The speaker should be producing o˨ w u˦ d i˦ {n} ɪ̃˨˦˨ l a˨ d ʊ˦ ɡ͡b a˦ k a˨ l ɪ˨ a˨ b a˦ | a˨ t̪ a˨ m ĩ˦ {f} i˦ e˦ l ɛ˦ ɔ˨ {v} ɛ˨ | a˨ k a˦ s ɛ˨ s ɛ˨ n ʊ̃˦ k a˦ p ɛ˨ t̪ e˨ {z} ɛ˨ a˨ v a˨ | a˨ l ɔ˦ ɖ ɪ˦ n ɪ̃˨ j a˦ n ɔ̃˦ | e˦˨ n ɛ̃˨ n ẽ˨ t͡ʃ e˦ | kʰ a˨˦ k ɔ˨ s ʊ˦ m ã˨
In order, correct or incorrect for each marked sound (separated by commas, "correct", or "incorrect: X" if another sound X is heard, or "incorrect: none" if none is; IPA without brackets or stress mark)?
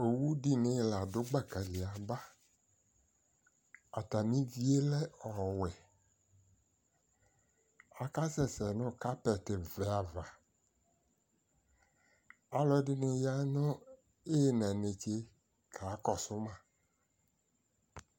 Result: correct, incorrect: v, incorrect: w, incorrect: v